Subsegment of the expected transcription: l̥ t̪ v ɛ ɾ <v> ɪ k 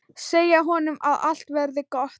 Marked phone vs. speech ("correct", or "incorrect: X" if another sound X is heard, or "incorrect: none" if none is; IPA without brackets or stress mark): incorrect: ð